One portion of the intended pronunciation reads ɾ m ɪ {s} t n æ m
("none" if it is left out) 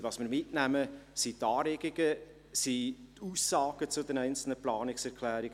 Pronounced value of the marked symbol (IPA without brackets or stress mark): none